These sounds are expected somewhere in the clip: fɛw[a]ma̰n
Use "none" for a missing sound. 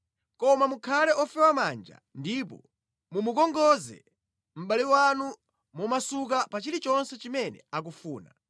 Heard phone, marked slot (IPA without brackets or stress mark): a